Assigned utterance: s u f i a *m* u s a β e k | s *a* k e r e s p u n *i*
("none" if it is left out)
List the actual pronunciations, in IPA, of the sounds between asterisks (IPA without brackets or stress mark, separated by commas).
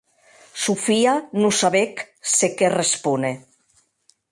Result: n, e, e